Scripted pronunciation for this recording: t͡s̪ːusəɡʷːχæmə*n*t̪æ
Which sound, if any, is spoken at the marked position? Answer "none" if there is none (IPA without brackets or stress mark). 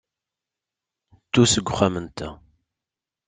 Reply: n